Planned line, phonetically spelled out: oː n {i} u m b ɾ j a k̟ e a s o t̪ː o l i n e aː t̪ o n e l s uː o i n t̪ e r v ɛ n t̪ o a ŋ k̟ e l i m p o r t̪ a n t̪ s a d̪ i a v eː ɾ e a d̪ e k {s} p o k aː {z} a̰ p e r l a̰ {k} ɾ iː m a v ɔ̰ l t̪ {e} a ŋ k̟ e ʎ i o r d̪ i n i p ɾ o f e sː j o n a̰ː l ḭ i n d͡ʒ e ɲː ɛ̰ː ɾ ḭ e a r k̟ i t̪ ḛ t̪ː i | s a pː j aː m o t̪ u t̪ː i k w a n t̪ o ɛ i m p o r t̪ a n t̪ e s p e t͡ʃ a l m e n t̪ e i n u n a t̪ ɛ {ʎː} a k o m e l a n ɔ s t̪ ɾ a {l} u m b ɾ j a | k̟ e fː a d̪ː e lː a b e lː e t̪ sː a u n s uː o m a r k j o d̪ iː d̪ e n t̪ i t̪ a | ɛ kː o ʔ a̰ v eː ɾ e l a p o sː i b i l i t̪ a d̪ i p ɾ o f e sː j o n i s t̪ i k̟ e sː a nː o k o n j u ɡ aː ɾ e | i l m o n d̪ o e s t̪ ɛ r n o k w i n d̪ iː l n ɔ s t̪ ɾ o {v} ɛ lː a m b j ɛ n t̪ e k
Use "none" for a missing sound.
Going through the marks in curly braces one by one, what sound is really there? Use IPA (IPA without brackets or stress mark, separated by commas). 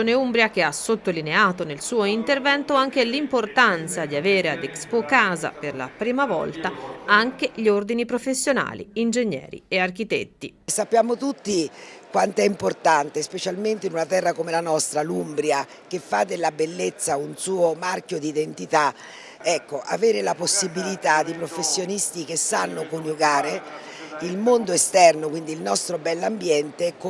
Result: e, s, z, p, a, rː, l, b